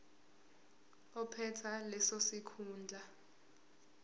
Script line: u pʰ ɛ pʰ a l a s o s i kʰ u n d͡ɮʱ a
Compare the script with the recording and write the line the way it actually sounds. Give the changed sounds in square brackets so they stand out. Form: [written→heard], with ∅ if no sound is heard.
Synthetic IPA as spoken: [u→ɔ] pʰ ɛ [pʰ→tʰ] a l [a→ɛ] s o s i kʰ [u→uː] n d͡ɮʱ a